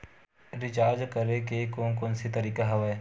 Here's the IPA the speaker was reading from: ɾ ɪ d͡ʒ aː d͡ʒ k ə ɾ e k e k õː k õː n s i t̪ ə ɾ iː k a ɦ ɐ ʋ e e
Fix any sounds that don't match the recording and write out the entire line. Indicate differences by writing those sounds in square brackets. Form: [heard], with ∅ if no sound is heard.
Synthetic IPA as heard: ɾ ɪ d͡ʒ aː d͡ʒ k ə ɾ e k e k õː k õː n s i t̪ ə ɾ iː k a ɦ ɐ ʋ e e